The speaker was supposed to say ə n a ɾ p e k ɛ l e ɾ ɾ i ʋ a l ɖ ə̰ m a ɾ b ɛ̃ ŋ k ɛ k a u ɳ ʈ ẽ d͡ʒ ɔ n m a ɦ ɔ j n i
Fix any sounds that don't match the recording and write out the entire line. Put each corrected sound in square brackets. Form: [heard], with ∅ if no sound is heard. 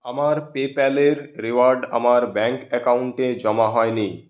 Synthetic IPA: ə [m] a ɾ p e [p] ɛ l e ɾ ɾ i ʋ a [ɾ] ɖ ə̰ m a ɾ b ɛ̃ ŋ k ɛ k a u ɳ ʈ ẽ d͡ʒ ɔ [∅] m a ɦ ɔ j n i